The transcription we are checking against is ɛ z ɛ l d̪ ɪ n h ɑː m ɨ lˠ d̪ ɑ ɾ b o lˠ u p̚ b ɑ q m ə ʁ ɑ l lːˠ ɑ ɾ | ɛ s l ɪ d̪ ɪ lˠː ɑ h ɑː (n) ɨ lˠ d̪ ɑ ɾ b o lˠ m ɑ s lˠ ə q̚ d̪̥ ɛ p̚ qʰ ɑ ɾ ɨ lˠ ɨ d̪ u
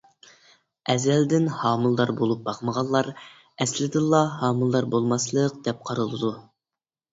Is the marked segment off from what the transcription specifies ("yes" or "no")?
yes